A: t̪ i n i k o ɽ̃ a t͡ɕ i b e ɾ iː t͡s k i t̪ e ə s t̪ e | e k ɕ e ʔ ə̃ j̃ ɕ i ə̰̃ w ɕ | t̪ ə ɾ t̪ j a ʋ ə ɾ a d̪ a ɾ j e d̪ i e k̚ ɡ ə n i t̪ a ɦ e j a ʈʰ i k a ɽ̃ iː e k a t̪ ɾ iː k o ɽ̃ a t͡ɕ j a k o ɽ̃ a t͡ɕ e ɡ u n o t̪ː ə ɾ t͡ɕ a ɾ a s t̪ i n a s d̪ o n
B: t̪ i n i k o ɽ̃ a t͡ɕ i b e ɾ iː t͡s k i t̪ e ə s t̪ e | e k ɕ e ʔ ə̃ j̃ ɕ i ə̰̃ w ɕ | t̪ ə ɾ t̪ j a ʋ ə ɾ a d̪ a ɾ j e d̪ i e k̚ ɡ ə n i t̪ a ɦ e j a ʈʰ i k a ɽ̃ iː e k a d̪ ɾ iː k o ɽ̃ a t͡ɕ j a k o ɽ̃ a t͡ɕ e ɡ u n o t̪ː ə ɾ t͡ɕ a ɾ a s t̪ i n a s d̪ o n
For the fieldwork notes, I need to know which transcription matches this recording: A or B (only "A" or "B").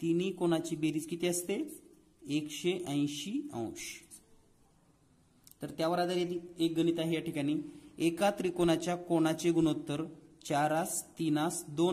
A